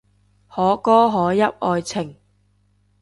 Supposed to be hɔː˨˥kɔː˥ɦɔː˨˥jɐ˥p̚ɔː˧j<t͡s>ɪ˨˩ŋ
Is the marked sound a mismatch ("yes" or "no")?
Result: yes